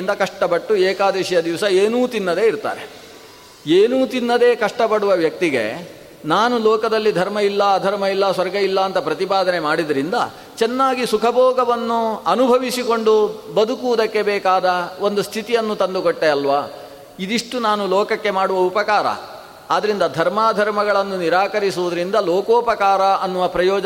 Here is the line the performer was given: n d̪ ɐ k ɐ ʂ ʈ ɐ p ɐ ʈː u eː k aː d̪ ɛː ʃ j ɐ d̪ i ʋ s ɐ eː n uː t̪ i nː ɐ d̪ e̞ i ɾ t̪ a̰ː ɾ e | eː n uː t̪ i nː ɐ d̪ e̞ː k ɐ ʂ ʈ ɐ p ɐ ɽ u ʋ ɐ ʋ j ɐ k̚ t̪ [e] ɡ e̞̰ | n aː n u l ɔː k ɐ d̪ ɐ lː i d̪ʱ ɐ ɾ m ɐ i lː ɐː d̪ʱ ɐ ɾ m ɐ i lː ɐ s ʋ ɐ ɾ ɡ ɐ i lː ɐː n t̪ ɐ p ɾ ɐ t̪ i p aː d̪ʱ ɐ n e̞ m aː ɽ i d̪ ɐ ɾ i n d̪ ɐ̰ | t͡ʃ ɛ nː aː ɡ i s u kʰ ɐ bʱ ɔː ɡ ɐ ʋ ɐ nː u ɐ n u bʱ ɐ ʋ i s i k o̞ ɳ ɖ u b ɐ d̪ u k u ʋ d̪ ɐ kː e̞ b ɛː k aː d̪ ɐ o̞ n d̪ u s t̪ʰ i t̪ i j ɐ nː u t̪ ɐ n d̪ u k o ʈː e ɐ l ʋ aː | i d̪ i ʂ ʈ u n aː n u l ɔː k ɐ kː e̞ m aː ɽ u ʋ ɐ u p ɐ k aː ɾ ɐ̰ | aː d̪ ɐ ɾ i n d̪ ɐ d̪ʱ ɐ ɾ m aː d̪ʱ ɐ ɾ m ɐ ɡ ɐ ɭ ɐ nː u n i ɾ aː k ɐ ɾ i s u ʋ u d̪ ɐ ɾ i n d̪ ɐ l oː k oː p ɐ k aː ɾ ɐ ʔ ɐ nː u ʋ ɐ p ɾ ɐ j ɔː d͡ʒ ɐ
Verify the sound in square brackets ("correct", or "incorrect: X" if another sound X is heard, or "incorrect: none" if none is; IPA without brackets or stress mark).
incorrect: i